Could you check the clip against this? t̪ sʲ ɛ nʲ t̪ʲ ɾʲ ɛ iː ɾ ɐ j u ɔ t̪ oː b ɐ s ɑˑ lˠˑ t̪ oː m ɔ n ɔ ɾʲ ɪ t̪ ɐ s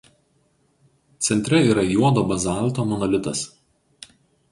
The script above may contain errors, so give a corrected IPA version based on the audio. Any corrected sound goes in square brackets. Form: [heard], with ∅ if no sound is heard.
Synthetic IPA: t̪ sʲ ɛ nʲ t̪ʲ ɾʲ ɛ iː ɾ ɐ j u ɔ [d̪] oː b ɐ [z] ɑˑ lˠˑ t̪ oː m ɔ n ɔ [lʲ] ɪ t̪ ɐ s